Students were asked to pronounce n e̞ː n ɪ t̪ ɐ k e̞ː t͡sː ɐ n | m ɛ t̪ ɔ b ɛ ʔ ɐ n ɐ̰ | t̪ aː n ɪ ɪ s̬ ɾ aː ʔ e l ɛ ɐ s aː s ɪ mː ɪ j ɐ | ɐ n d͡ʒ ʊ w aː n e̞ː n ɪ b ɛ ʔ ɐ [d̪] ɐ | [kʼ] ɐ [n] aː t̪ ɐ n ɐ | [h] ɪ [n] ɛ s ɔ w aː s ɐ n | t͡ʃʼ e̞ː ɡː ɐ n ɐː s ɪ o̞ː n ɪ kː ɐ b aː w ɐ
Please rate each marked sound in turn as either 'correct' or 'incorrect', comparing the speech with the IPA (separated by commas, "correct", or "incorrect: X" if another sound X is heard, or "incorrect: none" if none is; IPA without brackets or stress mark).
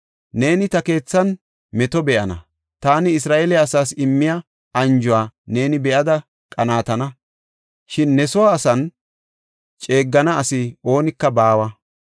correct, correct, correct, incorrect: ʃ, incorrect: nː